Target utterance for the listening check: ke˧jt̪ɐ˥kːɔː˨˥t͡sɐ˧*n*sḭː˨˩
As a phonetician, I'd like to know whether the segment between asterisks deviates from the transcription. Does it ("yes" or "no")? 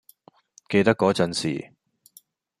no